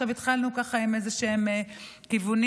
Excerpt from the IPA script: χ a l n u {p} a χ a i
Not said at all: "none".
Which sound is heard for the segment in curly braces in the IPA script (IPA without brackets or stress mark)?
k